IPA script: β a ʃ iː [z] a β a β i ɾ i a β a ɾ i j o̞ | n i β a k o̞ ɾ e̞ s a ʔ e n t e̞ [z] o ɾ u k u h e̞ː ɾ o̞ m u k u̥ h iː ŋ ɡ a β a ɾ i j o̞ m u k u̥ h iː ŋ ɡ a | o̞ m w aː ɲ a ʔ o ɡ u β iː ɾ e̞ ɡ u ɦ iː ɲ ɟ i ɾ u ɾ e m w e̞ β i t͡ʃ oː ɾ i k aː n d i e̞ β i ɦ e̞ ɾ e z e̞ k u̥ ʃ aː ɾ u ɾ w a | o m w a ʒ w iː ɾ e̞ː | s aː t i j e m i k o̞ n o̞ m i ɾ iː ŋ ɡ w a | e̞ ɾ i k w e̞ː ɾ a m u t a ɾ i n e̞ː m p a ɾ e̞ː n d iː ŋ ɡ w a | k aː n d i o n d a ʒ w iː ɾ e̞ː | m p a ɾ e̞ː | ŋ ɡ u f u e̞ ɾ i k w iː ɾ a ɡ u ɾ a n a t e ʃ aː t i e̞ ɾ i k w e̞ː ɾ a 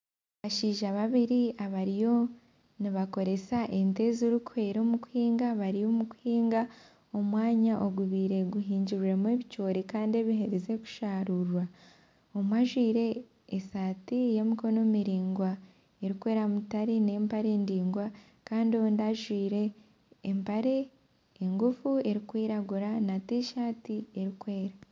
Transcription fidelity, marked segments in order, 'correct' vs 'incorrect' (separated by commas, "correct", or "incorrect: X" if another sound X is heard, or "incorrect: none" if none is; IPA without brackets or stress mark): incorrect: ʒ, correct